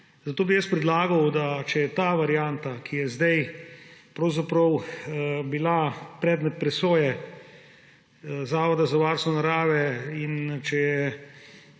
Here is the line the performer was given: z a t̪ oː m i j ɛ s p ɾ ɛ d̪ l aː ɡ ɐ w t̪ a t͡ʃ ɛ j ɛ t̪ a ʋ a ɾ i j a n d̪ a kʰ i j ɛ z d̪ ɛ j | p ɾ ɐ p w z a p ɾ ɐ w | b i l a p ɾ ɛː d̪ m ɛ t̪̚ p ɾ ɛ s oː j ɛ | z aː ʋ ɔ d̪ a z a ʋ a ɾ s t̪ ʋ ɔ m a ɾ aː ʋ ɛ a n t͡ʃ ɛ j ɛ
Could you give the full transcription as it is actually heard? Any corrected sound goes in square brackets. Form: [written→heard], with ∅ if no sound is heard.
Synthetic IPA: z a t̪ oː [m→b] i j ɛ s p ɾ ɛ d̪ l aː ɡ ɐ w [t̪→d̪] a t͡ʃ ɛ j ɛ t̪ a ʋ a ɾ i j a n [d̪→t̪] a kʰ i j ɛ z d̪ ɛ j | p ɾ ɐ [p→∅] w z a p ɾ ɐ w | b i l a p ɾ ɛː d̪ m ɛ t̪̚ p ɾ ɛ s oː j ɛ | z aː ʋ ɔ d̪ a z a ʋ a ɾ s t̪ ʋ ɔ [m→n] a ɾ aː ʋ ɛ [a→i] n t͡ʃ ɛ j ɛ